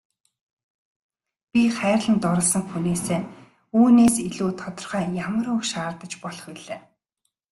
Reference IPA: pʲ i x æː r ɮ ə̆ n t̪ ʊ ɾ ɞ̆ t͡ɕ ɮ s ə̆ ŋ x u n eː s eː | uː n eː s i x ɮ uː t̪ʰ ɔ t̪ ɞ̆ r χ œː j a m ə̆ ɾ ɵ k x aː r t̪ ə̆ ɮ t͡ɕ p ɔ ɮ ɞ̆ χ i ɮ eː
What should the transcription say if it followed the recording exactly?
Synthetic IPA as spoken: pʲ i χ æː r ɮ ə̆ n t̪ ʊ ɾ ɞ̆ ɮ s ə̆ ŋ x u n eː s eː | uː n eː s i ɮ uː t̪ʰ ɔ t̪ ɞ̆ r χ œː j a m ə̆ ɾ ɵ k ʃ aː r t̪ ə̆ t͡ɕ p ɔ ɮ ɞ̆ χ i ɮ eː